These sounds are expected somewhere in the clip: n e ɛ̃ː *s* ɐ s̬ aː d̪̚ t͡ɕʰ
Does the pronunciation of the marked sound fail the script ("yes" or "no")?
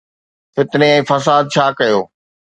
yes